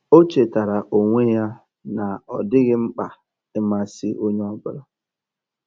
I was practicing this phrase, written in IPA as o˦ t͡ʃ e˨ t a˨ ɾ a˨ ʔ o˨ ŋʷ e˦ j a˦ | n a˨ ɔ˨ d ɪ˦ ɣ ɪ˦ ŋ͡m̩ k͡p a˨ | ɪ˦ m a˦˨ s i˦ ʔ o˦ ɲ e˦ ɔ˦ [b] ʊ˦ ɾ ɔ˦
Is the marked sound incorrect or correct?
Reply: correct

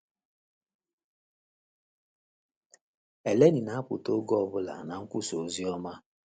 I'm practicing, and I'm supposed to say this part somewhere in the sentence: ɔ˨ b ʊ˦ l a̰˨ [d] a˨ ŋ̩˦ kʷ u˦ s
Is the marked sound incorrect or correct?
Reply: incorrect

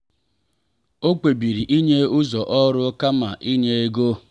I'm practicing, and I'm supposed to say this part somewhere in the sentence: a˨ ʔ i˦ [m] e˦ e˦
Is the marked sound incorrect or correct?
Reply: incorrect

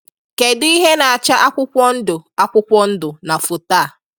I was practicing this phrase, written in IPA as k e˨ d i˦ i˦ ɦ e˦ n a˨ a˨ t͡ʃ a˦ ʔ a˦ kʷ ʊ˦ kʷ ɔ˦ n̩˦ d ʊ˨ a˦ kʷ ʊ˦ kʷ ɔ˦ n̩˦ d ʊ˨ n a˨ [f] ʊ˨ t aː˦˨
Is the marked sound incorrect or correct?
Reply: correct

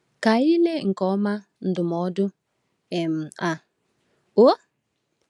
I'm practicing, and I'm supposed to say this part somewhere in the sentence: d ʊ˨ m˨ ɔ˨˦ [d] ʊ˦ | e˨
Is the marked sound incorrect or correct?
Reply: correct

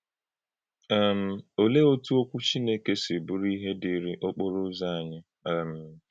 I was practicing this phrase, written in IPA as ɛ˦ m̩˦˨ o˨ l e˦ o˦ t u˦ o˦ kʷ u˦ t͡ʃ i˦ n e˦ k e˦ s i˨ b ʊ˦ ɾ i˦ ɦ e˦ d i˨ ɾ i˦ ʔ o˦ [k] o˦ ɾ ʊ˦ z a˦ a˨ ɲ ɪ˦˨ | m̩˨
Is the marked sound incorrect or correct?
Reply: incorrect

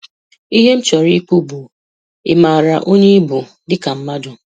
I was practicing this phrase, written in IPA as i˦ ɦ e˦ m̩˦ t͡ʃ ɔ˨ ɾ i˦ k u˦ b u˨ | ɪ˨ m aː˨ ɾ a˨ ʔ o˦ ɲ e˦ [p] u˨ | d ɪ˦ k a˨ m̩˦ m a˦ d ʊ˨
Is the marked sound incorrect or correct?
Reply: incorrect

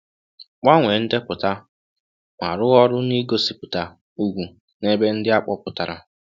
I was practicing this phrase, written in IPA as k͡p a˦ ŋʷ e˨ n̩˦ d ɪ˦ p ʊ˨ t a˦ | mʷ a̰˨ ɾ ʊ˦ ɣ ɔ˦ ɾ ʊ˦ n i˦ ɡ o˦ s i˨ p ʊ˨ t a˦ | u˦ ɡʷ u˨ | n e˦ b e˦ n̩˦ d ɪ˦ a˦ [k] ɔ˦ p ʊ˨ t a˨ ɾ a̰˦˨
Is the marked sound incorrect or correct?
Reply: incorrect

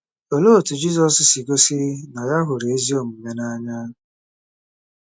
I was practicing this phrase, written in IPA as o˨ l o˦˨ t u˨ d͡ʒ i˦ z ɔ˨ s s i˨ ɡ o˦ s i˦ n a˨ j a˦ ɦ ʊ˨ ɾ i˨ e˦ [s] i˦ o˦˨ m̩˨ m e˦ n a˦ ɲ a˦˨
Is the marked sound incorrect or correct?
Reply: incorrect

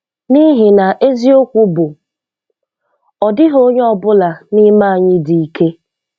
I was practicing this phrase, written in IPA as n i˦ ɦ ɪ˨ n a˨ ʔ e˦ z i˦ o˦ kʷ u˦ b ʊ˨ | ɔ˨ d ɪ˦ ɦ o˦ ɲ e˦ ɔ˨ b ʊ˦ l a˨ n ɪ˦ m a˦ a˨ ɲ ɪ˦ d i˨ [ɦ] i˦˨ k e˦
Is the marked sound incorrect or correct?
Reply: incorrect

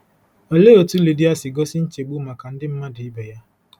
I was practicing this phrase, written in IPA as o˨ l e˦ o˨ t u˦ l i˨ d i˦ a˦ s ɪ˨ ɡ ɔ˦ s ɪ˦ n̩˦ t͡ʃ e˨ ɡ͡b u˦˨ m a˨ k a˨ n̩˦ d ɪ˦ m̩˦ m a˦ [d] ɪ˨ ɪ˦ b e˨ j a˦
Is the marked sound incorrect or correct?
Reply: correct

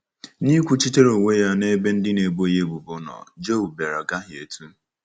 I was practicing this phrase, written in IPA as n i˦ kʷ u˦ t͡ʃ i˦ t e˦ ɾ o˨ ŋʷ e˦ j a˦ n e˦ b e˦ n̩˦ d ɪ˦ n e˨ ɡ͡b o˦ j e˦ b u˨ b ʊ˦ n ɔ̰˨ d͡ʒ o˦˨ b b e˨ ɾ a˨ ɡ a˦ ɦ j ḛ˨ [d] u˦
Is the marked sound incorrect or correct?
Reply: incorrect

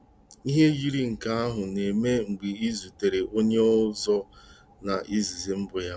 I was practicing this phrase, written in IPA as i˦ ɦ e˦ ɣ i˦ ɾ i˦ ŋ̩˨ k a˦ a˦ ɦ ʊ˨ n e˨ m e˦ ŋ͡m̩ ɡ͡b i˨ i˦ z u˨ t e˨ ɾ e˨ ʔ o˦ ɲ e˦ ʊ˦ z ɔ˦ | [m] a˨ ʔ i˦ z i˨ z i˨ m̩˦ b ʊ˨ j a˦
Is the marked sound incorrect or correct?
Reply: incorrect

